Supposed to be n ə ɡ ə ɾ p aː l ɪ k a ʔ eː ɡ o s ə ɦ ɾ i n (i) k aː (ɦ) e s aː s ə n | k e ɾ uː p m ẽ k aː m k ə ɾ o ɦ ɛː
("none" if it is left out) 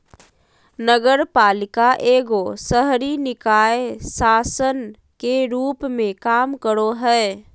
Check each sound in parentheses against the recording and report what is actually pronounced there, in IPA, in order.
ɪ, none

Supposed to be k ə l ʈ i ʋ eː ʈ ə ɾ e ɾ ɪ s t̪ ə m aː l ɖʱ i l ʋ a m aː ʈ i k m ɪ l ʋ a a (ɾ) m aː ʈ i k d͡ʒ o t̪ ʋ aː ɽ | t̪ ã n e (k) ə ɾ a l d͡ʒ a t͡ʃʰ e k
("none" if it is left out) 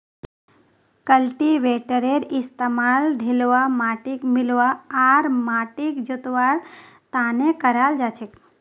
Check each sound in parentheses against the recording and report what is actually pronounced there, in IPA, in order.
ɾ, k

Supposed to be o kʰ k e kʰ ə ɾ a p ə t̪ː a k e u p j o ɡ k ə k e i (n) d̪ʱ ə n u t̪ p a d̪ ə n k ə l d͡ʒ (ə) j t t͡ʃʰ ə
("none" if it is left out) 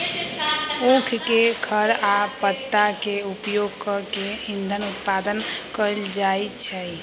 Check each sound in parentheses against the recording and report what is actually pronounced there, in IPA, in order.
n, a

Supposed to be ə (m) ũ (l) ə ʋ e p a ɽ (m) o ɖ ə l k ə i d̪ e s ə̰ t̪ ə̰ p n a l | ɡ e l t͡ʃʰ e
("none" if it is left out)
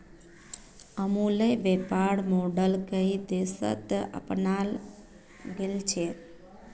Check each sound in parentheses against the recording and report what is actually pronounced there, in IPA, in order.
m, l, m

